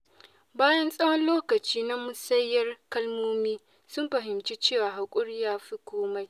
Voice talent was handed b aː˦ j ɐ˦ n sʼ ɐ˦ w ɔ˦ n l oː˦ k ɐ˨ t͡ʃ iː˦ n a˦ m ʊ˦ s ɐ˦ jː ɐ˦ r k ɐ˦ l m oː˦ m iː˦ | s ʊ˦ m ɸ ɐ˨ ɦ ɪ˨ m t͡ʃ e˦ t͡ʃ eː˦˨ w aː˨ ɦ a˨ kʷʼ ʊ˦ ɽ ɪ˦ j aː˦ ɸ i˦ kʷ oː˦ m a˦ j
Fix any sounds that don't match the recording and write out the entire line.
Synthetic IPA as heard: b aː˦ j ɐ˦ n sʼ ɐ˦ w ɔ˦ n l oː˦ k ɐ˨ t͡ʃ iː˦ n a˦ m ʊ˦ s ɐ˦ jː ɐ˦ r k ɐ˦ l m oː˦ m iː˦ | s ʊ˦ m ɸ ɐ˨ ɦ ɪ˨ m t͡ʃ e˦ t͡ʃ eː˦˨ w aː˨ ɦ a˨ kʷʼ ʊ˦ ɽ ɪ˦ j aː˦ ɸ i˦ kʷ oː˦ m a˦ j